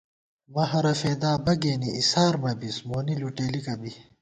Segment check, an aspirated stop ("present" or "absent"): absent